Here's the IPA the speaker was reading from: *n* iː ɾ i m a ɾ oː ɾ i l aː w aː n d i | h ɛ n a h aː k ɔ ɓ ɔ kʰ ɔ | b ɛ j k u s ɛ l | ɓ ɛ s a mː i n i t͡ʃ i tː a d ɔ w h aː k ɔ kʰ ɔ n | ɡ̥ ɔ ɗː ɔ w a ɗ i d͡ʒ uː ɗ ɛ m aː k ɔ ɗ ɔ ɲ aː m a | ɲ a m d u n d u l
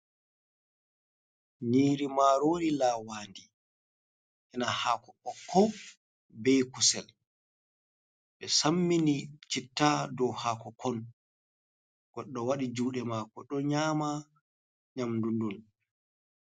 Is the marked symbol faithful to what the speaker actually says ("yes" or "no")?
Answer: yes